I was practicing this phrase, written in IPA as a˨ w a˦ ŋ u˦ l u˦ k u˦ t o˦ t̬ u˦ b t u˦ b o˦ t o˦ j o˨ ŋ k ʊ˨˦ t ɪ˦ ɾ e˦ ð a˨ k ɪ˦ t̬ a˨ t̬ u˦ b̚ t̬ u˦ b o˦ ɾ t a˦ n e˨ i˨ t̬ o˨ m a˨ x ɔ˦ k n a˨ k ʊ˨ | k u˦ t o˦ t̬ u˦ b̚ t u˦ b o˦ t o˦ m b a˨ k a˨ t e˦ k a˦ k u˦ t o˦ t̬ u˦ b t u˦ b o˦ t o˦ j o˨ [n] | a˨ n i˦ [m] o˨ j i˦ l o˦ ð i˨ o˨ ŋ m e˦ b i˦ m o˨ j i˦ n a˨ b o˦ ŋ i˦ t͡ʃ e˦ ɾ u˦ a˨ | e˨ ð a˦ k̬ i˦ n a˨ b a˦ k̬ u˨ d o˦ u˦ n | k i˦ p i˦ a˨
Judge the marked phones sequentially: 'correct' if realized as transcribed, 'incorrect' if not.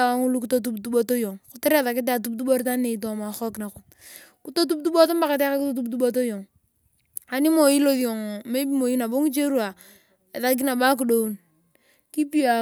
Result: incorrect, correct

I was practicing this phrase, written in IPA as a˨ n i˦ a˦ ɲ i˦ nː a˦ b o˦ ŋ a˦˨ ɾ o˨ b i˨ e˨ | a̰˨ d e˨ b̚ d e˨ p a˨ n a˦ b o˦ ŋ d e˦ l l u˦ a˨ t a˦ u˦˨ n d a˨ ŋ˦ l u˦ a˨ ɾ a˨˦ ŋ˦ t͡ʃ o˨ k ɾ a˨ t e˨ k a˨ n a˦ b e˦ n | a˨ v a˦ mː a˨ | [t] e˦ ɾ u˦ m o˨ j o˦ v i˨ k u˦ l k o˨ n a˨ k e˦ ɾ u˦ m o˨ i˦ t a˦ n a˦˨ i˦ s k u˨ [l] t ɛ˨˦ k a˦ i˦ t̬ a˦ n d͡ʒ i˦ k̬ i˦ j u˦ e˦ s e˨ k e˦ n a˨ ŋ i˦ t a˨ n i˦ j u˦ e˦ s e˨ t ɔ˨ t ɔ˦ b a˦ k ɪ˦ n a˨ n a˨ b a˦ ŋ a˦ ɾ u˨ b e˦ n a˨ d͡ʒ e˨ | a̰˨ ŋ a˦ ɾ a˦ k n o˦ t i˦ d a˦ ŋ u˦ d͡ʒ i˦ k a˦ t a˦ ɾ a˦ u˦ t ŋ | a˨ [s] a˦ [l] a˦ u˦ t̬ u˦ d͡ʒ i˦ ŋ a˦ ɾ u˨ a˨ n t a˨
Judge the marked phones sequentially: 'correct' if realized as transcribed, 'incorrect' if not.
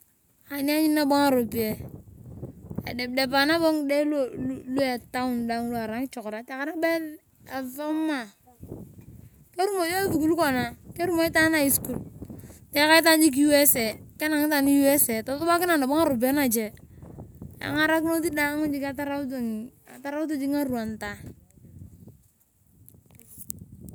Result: incorrect, correct, incorrect, incorrect

